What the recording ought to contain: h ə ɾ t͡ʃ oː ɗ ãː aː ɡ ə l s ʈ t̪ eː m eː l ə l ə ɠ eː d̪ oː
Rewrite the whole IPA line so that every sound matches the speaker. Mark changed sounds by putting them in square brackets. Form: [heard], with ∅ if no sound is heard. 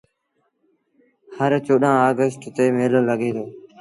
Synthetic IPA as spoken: h ə ɾ t͡ʃ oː ɗ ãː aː ɡ ə [∅] s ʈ t̪ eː m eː l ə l ə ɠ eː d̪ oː